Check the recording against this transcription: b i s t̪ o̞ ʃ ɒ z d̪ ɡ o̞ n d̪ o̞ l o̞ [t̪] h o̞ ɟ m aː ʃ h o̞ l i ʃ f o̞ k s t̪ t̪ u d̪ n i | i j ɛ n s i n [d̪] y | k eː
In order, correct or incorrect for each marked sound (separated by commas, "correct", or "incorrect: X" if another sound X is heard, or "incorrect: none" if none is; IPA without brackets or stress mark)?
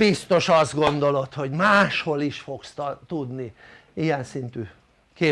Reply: correct, incorrect: t̪